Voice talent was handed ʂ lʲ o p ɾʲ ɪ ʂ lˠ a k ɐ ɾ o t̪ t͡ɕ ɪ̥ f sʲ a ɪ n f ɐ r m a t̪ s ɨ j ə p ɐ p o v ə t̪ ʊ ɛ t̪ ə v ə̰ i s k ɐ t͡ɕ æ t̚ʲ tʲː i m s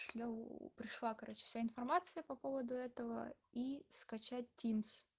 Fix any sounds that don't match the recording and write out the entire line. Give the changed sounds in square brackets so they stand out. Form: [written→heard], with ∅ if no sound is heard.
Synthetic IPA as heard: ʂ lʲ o p ɾʲ ɪ ʂ lˠ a k ɐ ɾ o [t̪→∅] t͡ɕ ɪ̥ f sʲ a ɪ n f ɐ r m a t̪ s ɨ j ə p ɐ p o v ə [t̪→d̪] ʊ ɛ t̪ ə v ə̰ i s k ɐ t͡ɕ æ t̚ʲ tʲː i m s